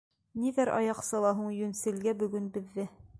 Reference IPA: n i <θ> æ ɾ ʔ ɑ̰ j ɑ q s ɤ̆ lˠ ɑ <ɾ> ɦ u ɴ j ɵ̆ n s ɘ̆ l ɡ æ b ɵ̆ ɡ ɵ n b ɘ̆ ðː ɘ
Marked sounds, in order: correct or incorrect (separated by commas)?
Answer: incorrect, incorrect